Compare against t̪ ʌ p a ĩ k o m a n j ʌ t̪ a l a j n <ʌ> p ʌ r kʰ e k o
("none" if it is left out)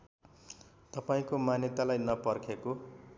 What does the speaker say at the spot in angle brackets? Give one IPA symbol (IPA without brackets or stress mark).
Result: ʌ